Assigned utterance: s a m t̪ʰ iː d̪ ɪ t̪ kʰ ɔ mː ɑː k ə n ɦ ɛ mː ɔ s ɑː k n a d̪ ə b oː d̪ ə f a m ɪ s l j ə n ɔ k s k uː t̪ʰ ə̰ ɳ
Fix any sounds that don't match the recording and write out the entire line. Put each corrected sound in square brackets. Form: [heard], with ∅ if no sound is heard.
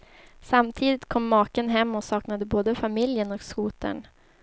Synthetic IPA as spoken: s a m t̪ʰ iː d̪ ɪ t̪ kʰ ɔ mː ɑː k ə n ɦ ɛ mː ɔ s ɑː k n a d̪ ə b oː d̪ ə f a m ɪ [∅] l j ə n ɔ k s k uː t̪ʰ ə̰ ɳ